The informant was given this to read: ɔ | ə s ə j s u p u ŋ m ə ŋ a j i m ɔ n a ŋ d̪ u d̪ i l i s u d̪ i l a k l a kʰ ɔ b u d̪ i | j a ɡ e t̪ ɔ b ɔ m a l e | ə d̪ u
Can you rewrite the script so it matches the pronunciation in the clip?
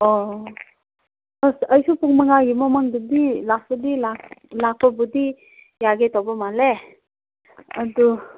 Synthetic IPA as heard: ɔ | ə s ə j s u p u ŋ m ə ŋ a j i m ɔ m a ŋ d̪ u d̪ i l a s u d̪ i l a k l a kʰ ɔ b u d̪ i | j a ɡ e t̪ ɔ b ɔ m a l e | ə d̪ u